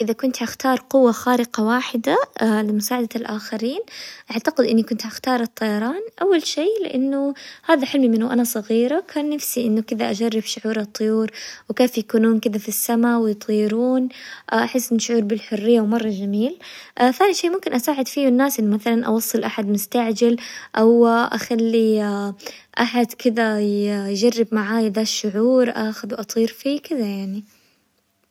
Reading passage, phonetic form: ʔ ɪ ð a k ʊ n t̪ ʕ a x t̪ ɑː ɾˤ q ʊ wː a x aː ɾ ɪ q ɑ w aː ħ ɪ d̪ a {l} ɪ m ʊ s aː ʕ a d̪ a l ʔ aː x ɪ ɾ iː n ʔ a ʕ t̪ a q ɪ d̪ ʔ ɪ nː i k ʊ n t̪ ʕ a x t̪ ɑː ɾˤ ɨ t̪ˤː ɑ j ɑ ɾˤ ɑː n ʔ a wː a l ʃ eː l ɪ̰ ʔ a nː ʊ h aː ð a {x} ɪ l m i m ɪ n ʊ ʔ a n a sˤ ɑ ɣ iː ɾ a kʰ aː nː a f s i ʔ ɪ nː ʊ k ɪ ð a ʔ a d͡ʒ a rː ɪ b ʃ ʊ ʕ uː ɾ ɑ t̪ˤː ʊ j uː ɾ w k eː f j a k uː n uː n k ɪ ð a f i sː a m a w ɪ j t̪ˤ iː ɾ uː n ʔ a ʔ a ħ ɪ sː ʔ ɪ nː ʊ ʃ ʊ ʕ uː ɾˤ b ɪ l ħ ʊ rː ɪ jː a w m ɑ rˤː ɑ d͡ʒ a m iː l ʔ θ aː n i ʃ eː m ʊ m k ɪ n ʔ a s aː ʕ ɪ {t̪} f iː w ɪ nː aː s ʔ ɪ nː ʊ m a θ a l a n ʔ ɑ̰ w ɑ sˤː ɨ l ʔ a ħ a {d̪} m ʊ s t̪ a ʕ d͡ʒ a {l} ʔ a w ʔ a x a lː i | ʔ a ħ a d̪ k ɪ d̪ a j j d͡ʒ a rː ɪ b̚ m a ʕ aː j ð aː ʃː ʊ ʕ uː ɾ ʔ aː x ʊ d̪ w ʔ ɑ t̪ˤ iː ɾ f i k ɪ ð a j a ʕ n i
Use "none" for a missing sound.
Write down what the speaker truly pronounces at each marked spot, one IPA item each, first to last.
l, ħ, d̪, d̪, l

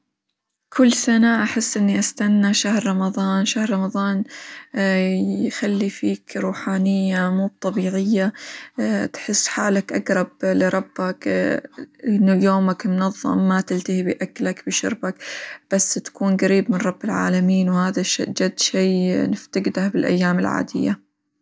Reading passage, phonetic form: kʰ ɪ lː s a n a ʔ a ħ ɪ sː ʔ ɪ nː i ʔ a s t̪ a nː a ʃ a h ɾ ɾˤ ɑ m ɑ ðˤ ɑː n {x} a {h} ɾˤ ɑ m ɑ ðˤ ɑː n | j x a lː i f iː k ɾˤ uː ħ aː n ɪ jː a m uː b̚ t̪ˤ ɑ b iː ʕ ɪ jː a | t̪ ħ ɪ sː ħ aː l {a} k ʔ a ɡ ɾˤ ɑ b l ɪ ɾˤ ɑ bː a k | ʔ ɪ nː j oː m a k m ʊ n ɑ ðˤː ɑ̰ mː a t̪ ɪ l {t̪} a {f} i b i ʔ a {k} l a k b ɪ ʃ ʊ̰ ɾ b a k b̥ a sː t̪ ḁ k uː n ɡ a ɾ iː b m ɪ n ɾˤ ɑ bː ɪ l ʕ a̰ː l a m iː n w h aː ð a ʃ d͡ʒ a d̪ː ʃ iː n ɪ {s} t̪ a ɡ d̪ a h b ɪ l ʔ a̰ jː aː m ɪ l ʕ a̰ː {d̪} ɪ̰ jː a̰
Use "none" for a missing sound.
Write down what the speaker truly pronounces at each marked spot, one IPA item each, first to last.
ʃ, h, a, t̪, h, k, f, d̪

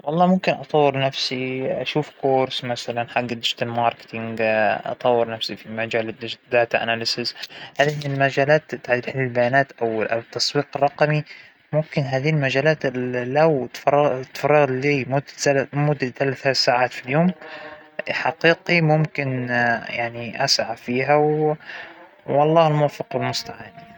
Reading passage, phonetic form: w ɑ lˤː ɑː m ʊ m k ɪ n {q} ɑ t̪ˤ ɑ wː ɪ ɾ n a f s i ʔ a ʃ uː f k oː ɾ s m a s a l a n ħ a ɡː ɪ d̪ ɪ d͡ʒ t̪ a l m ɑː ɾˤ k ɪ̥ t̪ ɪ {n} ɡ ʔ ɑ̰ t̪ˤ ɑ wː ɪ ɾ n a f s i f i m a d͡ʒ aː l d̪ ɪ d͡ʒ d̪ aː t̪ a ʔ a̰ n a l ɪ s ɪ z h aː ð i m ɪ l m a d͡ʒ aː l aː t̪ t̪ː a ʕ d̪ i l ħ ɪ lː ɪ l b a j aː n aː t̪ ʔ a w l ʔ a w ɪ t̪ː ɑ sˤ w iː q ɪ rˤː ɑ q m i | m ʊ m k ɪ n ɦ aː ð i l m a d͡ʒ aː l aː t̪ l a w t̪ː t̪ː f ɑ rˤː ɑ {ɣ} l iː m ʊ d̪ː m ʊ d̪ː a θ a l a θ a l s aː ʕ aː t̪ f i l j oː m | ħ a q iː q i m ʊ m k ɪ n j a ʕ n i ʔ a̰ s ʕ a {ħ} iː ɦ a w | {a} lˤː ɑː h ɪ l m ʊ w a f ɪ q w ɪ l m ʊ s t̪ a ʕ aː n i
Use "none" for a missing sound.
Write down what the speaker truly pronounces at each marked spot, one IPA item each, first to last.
ʔ, ŋ, ɣ, f, ɑ

